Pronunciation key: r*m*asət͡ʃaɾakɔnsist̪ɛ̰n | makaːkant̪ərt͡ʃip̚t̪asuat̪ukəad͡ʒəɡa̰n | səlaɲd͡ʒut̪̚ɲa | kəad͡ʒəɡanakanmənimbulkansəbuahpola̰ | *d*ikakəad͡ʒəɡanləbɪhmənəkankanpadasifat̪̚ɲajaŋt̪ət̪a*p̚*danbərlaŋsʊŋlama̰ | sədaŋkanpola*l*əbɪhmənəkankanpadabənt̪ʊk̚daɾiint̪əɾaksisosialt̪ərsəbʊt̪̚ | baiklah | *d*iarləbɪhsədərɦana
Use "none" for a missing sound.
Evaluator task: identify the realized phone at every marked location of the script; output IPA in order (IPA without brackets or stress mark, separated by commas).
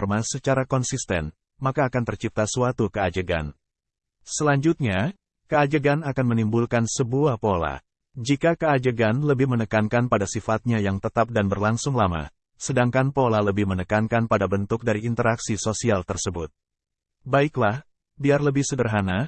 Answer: m, d͡ʒ, p̚, l, b